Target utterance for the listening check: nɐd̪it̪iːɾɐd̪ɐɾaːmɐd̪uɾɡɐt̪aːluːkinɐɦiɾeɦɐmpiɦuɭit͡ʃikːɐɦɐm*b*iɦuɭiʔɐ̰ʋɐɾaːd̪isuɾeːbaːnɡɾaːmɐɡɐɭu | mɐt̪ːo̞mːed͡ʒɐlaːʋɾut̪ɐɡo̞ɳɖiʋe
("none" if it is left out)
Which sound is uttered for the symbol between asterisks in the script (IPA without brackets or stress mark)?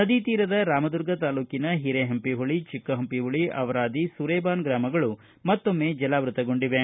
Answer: p